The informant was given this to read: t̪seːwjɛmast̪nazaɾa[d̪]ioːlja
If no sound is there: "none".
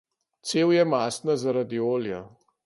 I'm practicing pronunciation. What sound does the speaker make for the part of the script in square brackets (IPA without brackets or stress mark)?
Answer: d̪